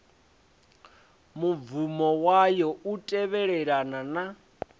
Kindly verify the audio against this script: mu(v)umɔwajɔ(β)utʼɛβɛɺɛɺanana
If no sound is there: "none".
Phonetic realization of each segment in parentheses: v, none

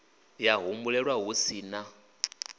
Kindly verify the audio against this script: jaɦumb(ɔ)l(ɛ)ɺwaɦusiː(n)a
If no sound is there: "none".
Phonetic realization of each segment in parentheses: u, ɛ, n

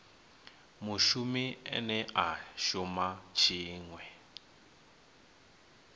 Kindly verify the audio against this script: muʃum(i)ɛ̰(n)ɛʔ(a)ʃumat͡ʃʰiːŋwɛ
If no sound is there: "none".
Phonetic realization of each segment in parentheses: i, n, a

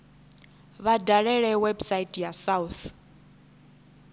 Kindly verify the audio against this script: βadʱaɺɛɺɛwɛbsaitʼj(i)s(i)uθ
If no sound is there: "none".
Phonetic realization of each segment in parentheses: a, a

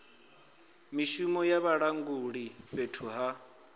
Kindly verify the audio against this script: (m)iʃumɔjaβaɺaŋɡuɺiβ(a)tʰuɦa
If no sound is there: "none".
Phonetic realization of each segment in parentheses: m, e

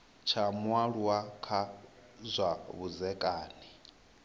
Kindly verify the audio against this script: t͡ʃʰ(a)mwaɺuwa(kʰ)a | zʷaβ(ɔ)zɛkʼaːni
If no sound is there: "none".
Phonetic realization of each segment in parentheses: a, kʰ, u

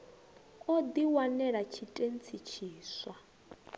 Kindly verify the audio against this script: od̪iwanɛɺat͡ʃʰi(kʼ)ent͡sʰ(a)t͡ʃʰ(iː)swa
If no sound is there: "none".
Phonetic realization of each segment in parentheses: tʼ, i, iː

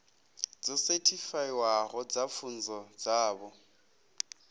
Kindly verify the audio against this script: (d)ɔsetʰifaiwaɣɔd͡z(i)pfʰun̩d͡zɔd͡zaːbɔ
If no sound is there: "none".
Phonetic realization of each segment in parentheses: d͡z, a

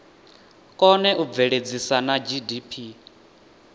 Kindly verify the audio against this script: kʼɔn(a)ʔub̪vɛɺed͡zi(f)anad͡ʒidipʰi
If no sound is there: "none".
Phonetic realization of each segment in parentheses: ɛ, s

